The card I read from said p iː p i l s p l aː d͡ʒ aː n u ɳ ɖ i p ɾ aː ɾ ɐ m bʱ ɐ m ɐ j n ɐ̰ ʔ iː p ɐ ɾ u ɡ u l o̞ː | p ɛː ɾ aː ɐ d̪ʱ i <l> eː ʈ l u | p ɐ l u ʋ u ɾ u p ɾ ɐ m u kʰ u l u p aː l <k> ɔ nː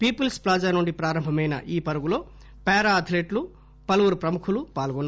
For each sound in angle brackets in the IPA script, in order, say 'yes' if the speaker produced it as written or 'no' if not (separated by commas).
yes, no